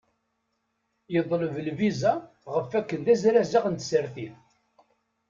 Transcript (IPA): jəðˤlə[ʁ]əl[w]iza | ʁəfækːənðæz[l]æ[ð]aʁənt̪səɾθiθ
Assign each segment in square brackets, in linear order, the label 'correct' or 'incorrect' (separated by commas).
incorrect, incorrect, incorrect, incorrect